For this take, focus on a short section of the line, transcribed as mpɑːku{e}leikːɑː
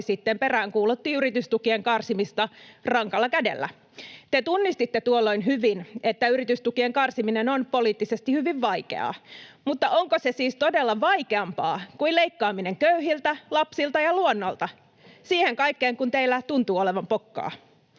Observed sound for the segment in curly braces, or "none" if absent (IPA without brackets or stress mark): i